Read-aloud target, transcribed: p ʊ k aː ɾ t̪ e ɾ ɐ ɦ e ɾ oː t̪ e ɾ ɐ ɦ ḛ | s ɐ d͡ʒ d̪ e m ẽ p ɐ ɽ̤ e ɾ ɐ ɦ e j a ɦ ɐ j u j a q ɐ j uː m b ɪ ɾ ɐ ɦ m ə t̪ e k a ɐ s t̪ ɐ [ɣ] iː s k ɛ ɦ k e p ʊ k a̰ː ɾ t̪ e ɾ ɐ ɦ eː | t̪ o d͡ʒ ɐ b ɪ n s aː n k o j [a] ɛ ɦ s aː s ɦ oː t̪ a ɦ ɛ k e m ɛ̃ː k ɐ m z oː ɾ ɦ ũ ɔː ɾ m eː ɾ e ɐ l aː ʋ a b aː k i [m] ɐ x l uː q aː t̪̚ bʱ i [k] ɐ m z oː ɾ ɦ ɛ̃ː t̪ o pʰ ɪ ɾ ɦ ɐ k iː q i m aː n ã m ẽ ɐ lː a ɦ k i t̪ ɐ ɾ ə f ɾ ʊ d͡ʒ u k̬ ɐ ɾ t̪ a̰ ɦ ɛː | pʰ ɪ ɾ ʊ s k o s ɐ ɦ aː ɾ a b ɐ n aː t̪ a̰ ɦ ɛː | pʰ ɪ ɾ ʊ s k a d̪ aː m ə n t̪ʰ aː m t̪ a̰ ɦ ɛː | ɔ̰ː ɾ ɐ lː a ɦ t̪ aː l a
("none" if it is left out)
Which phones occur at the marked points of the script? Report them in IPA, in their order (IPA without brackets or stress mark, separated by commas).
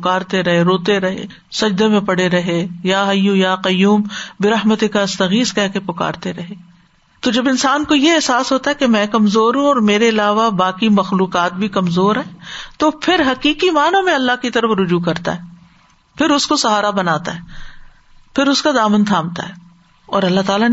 ɣ, e, m, k